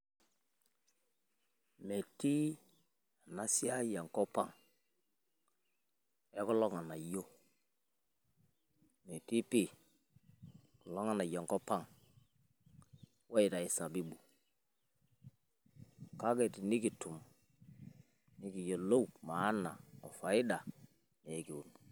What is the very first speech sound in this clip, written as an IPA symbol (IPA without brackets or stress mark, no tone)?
m